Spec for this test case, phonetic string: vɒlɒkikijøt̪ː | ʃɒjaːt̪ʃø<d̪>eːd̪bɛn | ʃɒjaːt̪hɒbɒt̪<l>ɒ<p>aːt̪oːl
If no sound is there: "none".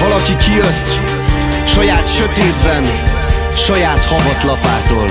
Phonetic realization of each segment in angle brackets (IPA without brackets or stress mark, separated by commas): t̪, l, p